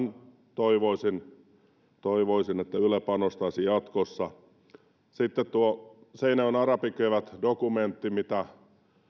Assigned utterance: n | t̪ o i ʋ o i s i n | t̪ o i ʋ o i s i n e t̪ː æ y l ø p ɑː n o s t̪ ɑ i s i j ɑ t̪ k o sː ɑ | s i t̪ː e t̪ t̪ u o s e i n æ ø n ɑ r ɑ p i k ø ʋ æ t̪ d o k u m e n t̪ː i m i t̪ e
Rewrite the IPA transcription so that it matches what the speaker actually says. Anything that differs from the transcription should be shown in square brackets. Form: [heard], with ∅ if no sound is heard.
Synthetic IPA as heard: n | t̪ o i ʋ o i s i n | t̪ o i ʋ o i s i n e t̪ː æ y l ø p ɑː n o s t̪ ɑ i s i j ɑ t̪ k o sː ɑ | s i t̪ː e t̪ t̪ u o s e i n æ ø n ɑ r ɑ p i k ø ʋ æ t̪ d o k u m e n t̪ː i m i t̪ [æ]